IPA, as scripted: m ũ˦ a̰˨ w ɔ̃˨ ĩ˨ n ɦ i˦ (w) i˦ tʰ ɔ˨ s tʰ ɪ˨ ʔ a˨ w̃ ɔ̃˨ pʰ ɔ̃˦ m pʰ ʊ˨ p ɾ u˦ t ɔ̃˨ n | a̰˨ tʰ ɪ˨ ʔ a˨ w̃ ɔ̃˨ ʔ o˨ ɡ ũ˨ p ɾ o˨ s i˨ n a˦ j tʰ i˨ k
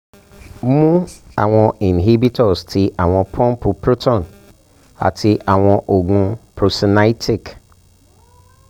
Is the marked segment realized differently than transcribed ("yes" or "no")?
yes